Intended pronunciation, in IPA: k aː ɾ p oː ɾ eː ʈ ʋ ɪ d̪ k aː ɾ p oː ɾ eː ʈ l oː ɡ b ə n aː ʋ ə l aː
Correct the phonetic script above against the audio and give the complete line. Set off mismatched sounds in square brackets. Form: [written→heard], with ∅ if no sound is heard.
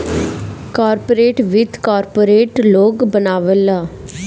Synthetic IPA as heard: k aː ɾ p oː ɾ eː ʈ ʋ ɪ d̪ k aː ɾ p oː ɾ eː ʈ l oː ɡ b ə n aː ʋ ə l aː